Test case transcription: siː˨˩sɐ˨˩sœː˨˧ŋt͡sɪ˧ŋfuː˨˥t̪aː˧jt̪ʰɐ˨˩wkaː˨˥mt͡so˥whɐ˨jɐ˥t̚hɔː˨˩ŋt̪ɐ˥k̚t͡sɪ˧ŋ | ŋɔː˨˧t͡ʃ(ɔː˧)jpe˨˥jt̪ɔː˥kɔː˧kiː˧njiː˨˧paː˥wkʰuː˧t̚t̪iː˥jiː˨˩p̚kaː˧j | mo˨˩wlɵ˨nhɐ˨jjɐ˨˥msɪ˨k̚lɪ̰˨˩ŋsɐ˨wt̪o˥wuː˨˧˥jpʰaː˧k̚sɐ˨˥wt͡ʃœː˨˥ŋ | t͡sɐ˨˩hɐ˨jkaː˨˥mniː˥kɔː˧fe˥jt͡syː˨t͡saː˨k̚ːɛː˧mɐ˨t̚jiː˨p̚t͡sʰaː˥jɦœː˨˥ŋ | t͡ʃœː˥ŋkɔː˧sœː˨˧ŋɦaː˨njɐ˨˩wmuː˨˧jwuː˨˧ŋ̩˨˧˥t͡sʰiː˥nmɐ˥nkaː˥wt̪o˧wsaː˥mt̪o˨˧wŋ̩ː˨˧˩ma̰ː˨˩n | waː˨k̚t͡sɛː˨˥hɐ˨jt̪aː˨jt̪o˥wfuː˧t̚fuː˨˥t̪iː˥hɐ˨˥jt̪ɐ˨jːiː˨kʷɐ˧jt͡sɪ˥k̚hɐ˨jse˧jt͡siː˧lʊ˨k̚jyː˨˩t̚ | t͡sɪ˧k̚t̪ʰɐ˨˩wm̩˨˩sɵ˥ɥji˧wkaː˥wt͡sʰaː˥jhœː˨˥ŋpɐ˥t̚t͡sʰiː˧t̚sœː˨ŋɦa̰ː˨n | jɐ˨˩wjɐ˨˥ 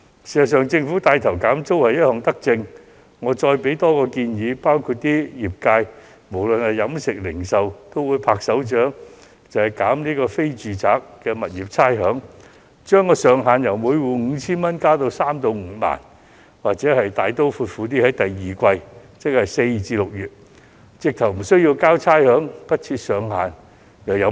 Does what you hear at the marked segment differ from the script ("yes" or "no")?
no